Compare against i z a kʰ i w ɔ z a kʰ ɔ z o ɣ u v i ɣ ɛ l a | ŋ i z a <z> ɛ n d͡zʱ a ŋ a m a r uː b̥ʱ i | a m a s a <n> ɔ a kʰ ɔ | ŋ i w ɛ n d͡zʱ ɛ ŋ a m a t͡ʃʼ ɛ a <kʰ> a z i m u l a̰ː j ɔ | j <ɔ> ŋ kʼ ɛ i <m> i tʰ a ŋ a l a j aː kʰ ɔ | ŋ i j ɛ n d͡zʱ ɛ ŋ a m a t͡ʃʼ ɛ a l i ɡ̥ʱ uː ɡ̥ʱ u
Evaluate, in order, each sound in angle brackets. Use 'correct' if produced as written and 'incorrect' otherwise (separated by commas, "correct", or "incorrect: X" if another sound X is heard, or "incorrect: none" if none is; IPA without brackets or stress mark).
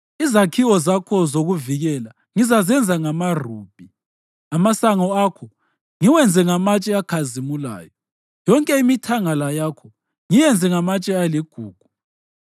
correct, incorrect: ŋ, correct, correct, correct